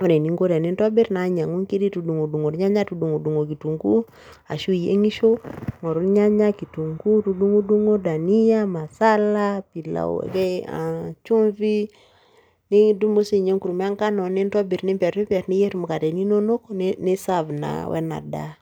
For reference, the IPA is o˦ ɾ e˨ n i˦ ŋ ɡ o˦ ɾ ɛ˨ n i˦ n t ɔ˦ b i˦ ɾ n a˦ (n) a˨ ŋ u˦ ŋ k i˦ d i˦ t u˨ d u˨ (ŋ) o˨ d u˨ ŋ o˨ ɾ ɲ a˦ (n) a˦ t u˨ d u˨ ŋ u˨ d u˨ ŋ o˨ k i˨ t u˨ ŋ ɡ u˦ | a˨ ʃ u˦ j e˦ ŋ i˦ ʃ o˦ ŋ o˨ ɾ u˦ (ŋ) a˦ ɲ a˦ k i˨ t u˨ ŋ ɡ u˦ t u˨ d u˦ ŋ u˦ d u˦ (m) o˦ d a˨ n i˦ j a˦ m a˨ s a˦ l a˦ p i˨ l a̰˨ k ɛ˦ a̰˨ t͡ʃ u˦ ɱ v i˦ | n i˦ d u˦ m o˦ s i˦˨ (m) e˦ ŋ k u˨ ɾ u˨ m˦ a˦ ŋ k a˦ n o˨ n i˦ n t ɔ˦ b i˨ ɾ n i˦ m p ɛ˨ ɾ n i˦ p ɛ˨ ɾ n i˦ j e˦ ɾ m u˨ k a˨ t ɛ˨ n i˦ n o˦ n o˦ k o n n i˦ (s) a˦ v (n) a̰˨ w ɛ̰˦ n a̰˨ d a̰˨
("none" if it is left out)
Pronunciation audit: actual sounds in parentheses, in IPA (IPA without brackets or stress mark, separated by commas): ɲ, ŋ, ɲ, ɲ, ŋ, ɲ, s, n